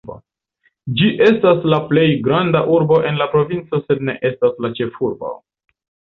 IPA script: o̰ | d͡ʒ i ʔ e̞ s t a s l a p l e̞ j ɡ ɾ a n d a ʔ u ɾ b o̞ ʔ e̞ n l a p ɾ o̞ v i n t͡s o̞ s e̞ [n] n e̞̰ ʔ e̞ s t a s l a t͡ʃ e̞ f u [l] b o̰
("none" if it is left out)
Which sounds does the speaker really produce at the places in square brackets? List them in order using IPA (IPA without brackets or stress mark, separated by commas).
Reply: d, ɾ